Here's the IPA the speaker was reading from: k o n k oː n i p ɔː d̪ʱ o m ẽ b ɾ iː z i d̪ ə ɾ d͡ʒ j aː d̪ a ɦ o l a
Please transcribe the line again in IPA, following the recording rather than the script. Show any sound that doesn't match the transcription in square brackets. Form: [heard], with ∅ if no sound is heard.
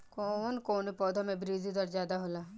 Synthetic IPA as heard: k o n k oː n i p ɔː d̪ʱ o m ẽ b ɾ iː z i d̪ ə ɾ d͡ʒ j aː d̪ a ɦ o l a